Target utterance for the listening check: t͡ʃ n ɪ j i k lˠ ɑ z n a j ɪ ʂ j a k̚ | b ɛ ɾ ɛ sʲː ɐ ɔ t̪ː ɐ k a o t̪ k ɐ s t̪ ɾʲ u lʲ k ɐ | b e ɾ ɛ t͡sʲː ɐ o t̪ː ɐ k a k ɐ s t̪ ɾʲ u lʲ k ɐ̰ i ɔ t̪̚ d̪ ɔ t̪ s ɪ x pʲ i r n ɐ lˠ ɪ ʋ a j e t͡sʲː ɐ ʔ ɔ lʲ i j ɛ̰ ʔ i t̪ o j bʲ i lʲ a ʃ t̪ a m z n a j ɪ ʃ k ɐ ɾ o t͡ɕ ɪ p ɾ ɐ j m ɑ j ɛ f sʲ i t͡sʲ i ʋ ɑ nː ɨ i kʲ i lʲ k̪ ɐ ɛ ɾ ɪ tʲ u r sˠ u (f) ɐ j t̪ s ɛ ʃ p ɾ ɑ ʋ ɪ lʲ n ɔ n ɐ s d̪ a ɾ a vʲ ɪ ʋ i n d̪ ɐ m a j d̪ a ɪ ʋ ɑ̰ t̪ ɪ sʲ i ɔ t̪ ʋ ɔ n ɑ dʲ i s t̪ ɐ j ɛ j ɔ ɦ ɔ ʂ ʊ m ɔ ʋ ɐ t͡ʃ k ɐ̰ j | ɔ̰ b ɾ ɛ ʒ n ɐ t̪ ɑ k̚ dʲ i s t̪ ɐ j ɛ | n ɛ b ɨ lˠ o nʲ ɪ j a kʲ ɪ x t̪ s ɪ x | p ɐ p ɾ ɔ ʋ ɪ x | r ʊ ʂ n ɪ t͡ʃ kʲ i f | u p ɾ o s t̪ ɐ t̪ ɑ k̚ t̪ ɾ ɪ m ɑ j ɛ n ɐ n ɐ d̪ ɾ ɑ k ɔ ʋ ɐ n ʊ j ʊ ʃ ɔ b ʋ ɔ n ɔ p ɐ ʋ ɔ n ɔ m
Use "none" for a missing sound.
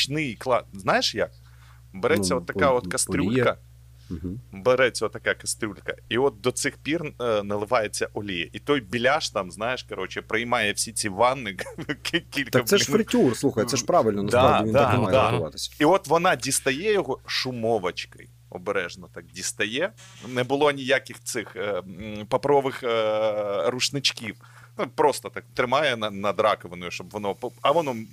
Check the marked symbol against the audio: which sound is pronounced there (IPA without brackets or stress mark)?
x